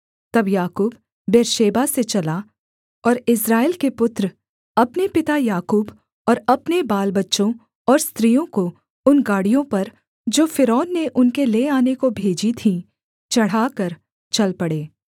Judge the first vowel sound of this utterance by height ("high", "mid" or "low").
low